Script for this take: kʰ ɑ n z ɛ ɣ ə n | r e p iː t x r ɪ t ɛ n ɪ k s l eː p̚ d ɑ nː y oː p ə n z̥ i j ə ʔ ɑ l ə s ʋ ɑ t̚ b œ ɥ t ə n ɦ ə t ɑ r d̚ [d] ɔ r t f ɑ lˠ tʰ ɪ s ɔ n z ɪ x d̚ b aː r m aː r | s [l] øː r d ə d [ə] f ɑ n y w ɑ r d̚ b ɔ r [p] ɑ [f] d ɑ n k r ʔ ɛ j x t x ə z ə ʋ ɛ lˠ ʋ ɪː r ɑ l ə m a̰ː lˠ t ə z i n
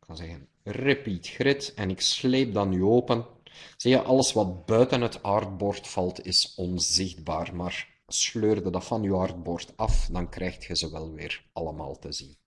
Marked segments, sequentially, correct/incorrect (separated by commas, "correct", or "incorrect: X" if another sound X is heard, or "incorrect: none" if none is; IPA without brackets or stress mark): incorrect: b, correct, incorrect: ɑ, incorrect: t, correct